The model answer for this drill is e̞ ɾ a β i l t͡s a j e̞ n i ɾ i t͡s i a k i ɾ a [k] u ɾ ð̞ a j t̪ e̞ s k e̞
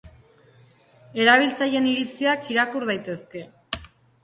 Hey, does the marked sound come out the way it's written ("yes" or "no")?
yes